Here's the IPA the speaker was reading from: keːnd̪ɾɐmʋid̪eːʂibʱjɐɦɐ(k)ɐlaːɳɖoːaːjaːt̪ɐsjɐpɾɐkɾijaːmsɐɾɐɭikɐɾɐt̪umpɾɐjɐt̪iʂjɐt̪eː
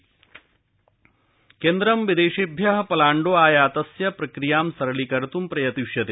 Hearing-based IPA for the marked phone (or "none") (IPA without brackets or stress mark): p